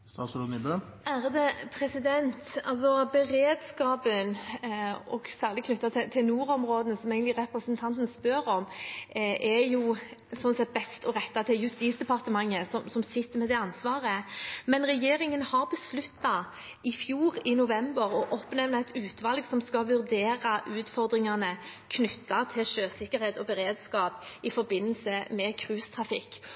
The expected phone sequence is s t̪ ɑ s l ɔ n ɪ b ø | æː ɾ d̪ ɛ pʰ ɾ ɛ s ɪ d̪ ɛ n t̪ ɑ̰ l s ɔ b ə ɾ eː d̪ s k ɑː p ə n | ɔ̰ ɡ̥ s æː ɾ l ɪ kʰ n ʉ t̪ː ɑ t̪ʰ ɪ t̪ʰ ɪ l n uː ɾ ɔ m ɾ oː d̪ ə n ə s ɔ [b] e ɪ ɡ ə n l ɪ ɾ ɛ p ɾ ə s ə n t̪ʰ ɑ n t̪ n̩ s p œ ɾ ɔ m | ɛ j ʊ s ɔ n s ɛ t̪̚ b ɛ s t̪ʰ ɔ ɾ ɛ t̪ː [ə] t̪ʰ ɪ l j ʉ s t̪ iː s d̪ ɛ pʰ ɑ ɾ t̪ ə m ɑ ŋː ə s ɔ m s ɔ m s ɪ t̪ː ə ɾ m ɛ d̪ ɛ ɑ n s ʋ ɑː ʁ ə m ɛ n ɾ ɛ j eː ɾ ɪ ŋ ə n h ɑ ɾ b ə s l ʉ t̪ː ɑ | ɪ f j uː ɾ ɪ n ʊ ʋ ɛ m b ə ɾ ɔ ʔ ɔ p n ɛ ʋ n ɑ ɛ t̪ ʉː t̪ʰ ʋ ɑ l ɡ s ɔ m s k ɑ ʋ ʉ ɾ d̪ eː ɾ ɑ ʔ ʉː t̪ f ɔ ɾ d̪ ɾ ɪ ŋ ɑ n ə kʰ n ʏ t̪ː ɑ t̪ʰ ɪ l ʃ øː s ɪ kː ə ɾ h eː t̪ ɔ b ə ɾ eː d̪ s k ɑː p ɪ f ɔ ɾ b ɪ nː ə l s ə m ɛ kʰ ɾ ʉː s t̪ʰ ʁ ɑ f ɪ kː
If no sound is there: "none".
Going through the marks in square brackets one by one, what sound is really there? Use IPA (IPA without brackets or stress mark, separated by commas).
m, ɑ